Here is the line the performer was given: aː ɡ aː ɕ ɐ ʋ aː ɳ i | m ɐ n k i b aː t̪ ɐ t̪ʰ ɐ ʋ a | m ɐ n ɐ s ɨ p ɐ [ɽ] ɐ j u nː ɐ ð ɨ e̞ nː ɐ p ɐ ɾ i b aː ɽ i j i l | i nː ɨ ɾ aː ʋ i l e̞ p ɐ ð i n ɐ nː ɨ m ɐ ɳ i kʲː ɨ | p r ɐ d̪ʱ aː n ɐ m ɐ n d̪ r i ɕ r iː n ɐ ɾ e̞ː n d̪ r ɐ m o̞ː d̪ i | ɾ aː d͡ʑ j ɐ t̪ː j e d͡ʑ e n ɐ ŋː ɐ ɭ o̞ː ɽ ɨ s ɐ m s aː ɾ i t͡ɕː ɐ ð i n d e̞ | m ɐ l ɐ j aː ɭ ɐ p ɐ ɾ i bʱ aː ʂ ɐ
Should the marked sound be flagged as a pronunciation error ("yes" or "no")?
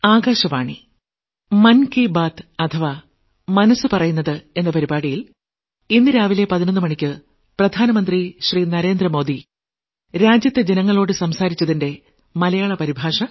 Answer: yes